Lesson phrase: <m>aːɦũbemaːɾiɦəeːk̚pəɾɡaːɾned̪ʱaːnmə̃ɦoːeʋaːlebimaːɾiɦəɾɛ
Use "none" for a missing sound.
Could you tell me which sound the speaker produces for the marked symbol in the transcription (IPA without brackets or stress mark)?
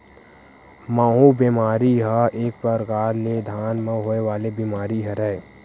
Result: m